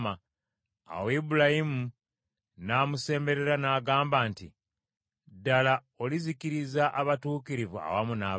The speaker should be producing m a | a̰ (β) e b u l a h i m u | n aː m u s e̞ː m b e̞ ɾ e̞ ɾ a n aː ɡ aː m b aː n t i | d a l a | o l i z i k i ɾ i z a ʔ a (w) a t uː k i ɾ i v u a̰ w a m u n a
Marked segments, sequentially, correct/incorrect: incorrect, incorrect

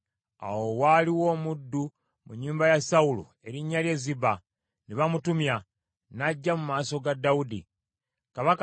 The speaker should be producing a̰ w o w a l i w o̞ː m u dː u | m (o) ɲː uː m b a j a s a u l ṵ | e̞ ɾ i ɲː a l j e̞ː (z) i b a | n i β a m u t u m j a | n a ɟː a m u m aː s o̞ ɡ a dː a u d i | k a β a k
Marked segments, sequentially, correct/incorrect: incorrect, correct

